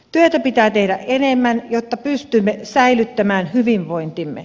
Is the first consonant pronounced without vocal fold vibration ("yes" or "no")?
yes